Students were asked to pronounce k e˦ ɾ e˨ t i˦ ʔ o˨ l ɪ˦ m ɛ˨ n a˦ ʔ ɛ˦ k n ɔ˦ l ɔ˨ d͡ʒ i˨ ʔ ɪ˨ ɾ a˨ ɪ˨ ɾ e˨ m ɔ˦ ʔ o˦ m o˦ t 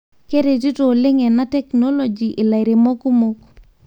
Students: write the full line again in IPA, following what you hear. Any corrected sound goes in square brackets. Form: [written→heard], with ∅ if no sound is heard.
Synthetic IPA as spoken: k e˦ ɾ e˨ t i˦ [ʔ→t] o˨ l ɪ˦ [m→ŋ] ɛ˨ n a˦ [ʔ→t] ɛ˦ k n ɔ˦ l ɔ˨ d͡ʒ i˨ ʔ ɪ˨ [ɾ→l] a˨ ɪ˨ ɾ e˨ m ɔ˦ [ʔ→k] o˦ m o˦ [t→k]